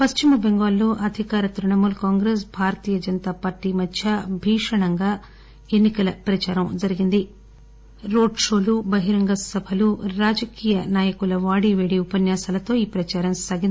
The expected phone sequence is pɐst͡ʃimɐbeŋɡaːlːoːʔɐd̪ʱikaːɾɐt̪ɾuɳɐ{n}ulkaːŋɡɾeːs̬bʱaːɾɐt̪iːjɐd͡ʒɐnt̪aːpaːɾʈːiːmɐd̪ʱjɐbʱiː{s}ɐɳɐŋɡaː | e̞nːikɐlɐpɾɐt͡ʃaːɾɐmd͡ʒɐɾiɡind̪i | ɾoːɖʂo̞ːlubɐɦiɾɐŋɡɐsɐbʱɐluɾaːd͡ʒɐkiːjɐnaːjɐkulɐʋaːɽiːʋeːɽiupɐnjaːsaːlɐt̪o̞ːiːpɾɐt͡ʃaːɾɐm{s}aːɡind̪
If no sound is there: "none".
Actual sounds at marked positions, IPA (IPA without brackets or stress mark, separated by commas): m, ʂ, s